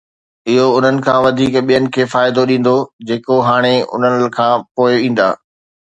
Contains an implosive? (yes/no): yes